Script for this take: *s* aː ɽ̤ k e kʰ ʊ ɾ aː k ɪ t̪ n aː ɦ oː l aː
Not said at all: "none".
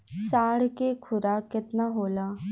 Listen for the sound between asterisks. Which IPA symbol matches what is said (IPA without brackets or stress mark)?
s